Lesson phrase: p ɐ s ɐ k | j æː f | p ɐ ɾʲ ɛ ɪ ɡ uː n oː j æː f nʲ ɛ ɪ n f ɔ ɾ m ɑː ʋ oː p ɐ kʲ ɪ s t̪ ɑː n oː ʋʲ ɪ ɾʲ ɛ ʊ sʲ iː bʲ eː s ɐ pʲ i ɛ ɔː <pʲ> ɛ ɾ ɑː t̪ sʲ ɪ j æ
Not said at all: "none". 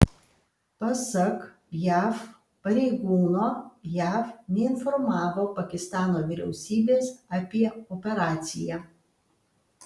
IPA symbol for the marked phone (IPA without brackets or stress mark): pʲ